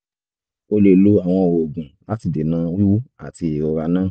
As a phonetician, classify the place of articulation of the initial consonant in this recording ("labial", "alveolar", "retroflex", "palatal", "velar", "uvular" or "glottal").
alveolar